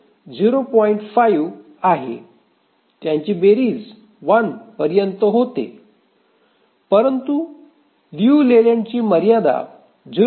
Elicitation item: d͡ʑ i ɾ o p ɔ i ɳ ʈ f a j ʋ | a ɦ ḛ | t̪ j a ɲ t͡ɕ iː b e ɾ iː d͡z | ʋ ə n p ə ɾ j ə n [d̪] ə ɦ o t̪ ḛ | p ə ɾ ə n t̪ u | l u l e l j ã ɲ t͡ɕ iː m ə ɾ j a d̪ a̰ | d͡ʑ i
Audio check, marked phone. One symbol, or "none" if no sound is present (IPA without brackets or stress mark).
t̪